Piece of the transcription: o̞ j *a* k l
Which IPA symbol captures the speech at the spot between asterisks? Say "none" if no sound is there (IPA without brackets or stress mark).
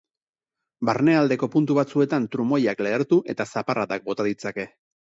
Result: a